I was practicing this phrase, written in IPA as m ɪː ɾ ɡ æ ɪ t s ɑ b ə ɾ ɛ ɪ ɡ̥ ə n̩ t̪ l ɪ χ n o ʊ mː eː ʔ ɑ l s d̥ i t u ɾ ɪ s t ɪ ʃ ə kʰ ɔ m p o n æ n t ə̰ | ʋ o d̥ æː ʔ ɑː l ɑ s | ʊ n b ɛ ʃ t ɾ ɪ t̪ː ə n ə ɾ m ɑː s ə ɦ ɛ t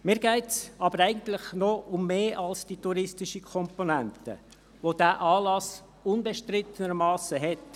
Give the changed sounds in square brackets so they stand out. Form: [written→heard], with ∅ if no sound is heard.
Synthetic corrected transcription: m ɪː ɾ ɡ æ ɪ t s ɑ b ə ɾ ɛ ɪ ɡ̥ ə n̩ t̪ l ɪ χ n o ʊ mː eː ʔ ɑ l s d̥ i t u ɾ ɪ s t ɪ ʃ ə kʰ ɔ m p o n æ n t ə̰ | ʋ o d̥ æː ʔ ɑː l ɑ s | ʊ n b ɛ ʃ t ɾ ɪ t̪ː ə n ə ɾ m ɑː s ə ɦ ɛ t